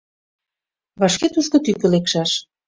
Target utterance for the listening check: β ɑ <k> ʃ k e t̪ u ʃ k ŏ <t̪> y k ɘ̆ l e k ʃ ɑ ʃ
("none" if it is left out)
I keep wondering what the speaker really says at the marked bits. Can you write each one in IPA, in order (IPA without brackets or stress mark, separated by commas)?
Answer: none, t̪